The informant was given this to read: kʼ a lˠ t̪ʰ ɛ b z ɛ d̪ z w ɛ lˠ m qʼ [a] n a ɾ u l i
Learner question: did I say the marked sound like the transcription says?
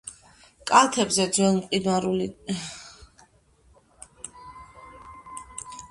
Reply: no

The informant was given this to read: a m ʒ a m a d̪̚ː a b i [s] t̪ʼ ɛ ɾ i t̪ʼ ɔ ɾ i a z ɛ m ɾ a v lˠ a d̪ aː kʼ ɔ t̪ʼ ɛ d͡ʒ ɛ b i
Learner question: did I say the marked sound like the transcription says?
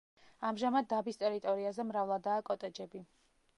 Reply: yes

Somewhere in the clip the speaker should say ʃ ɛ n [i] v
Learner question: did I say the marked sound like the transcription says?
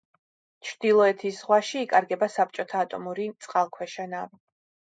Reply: no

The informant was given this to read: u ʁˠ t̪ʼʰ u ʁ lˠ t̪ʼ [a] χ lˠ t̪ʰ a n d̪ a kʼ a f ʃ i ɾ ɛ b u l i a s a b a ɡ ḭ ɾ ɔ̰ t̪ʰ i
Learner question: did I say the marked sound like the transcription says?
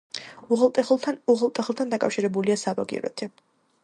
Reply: no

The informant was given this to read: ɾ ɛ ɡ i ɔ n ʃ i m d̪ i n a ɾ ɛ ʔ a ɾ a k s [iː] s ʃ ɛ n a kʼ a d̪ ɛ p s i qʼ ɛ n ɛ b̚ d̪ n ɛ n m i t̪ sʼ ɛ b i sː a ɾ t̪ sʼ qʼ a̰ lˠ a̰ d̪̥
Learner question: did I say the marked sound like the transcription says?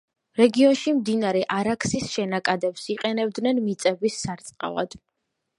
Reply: no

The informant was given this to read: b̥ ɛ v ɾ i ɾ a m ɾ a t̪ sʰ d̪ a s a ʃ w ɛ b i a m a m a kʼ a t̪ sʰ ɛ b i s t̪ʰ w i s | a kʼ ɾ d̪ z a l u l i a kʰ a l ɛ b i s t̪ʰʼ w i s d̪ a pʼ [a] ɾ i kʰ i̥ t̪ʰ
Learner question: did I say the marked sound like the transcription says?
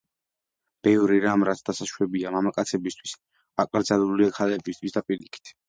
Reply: no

